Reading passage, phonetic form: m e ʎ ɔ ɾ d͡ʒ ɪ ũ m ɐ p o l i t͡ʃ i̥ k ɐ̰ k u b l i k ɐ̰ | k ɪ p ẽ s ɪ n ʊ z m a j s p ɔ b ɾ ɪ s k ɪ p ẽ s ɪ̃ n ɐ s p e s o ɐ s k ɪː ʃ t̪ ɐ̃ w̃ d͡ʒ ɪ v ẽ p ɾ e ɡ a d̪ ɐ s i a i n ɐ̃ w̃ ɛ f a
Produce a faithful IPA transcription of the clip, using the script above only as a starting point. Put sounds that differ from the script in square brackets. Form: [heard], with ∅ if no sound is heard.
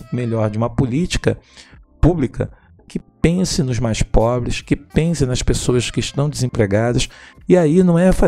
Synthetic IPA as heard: m e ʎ ɔ ɾ d͡ʒ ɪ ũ m ɐ p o l i t͡ʃ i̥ k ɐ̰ [p] u b l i k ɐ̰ | k ɪ p ẽ s ɪ n ʊ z m a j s p ɔ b ɾ ɪ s k ɪ p ẽ s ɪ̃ n ɐ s p e s o ɐ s k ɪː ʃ t̪ ɐ̃ w̃ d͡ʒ ɪ [z] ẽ p ɾ e ɡ a d̪ ɐ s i a i n ɐ̃ w̃ ɛ f a